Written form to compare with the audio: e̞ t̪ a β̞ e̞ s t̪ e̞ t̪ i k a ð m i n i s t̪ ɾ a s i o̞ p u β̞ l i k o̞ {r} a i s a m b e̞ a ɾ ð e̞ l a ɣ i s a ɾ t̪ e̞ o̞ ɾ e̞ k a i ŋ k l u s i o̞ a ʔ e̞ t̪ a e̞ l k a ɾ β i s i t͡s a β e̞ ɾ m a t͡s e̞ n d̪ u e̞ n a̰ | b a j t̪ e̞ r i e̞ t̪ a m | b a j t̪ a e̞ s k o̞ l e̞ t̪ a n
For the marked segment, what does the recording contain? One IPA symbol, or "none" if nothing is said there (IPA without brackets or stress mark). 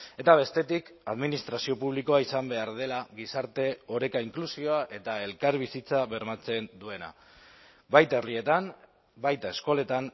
none